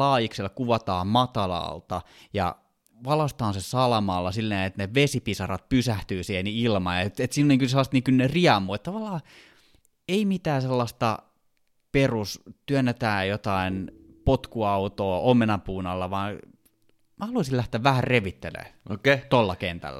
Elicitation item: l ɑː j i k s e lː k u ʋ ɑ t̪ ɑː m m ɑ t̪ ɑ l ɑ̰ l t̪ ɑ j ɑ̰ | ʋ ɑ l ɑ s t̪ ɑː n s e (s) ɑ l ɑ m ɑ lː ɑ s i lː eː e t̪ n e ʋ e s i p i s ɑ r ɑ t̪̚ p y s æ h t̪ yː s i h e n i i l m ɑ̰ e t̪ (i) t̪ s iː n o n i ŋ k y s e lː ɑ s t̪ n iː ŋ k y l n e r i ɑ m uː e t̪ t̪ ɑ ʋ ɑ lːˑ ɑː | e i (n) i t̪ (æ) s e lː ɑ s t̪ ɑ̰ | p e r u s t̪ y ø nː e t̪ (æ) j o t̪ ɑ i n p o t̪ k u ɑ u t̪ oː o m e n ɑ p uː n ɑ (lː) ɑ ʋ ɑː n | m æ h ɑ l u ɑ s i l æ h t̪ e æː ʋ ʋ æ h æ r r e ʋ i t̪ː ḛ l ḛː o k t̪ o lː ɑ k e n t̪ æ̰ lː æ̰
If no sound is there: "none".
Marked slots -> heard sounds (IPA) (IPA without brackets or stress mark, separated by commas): s, e, m, æː, æː, lː